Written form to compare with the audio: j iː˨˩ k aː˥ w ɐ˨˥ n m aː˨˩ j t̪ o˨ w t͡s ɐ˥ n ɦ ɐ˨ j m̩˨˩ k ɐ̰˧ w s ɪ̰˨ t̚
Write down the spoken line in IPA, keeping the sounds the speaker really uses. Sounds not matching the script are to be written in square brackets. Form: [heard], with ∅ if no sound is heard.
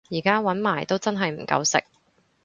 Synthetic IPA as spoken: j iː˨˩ k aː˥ w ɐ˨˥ n m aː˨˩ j t̪ [o˥] w t͡s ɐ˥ n ɦ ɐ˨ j m̩˨˩ k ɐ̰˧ w s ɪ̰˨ [k̚]